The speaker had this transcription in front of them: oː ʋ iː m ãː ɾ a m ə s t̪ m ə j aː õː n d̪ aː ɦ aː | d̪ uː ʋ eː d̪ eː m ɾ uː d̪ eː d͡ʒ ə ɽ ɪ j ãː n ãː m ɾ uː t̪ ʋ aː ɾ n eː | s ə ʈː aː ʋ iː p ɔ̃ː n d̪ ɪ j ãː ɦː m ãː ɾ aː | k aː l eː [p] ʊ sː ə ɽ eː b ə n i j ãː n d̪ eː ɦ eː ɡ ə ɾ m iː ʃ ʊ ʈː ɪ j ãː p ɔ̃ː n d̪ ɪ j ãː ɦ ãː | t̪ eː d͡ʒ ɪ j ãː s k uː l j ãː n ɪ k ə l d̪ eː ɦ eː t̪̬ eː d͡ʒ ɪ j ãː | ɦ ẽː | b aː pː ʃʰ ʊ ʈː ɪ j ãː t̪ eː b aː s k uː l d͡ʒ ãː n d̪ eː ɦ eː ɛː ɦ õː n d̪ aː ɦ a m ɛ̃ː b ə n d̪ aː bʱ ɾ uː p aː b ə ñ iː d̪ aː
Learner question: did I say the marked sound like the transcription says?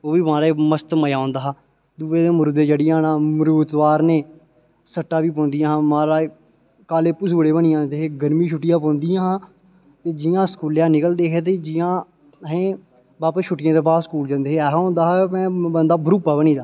yes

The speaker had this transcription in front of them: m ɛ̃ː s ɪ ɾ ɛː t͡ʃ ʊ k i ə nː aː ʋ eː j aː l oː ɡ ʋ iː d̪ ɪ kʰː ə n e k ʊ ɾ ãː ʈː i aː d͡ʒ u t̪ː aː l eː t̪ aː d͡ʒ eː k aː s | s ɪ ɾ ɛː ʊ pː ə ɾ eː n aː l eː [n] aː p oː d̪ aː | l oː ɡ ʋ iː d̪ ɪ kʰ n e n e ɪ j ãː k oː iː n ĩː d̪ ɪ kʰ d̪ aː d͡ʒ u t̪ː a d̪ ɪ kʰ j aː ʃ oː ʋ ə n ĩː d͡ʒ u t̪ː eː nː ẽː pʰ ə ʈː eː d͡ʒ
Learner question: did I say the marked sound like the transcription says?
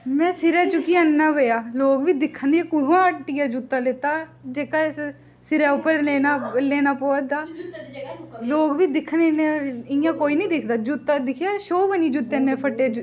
yes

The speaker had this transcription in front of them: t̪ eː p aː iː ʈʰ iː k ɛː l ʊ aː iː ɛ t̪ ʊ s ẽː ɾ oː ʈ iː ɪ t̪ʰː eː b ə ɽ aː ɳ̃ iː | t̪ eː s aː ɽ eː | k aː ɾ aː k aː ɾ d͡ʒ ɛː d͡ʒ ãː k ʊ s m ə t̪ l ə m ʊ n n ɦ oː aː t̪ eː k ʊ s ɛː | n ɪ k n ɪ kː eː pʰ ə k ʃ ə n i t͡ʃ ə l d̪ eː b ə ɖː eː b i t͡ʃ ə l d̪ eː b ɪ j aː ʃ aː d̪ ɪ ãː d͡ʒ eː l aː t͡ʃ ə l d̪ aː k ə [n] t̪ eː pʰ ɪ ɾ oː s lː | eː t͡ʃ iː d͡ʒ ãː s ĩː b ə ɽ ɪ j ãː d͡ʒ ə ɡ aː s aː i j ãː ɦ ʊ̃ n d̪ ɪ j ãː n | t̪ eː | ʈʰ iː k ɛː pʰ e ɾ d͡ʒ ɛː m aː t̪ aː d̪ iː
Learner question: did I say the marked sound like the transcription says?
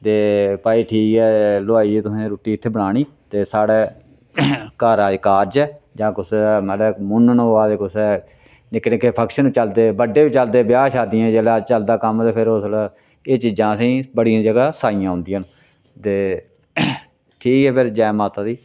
no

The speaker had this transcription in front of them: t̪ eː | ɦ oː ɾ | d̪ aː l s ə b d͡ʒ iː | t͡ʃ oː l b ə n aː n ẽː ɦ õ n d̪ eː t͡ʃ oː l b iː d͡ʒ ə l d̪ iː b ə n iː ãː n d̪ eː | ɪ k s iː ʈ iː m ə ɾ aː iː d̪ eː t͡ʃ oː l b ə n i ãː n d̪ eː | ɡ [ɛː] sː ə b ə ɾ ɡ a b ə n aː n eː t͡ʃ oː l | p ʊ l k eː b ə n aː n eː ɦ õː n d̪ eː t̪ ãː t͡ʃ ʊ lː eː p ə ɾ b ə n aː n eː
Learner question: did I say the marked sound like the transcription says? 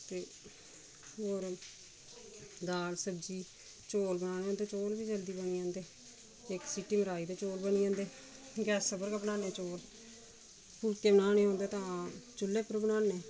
yes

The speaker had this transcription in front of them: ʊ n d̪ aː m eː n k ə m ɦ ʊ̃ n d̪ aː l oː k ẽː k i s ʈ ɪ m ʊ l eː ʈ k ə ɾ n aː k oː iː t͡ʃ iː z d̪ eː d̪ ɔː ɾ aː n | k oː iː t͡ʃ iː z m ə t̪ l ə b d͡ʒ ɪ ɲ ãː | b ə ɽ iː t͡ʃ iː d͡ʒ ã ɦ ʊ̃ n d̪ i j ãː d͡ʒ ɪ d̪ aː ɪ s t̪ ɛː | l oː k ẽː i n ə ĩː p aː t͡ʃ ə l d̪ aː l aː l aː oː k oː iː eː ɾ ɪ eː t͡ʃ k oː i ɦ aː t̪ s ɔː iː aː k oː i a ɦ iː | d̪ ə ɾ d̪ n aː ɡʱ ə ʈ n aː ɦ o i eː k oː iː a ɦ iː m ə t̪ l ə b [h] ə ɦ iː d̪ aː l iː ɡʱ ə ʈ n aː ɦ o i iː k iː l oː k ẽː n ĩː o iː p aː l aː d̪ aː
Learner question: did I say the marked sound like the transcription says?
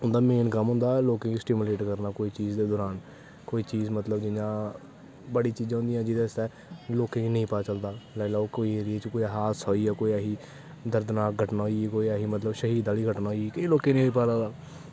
no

